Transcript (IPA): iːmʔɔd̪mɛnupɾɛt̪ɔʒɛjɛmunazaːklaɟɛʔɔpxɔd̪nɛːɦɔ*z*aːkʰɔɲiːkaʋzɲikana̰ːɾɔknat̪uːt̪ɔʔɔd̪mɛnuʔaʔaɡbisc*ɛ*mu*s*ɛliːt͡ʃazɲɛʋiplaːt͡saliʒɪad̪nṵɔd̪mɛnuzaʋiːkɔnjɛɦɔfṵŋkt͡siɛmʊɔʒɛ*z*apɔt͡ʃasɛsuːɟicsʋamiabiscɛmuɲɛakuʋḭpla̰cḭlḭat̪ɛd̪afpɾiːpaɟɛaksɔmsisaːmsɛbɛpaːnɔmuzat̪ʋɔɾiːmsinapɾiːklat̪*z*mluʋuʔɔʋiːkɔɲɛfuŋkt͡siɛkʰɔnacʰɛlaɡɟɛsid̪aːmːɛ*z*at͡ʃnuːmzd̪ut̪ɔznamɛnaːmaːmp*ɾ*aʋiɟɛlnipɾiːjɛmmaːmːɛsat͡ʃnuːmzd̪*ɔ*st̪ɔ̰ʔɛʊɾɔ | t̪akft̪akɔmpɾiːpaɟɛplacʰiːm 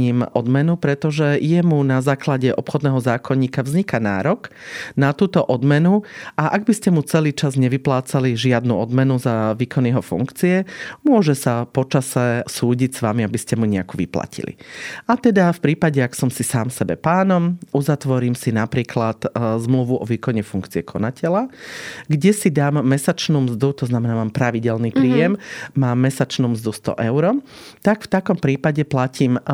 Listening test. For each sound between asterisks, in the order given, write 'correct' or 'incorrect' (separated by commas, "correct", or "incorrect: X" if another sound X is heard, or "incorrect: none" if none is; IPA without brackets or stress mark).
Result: correct, correct, incorrect: t͡s, incorrect: s, correct, incorrect: s, correct, incorrect: u